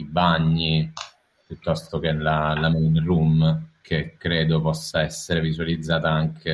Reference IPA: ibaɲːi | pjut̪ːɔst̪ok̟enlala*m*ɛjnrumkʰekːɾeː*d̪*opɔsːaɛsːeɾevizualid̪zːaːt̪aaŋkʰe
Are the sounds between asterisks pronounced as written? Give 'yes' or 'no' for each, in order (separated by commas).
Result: yes, yes